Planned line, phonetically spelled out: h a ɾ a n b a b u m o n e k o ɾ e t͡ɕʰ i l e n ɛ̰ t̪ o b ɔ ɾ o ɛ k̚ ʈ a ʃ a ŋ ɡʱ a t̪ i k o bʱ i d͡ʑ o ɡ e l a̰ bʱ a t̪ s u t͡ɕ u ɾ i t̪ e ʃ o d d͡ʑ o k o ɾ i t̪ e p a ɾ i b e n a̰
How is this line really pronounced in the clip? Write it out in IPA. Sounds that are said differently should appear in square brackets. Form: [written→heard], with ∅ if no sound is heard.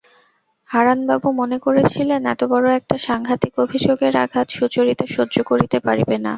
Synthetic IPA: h a ɾ a n b a b u m o n e k o ɾ e t͡ɕʰ i l e n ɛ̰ t̪ o b ɔ ɾ o ɛ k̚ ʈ a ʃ a ŋ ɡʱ a t̪ i k o bʱ i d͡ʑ o ɡ e [l→ɾ] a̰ [bʱ→ɡʱ] a t̪ [s→ʃ] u t͡ɕ [u→o] ɾ i t̪ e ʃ o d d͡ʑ o k o ɾ i t̪ e p a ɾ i b e n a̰